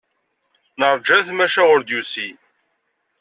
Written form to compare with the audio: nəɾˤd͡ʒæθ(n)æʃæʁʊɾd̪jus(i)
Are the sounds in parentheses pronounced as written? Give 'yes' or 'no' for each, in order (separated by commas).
no, yes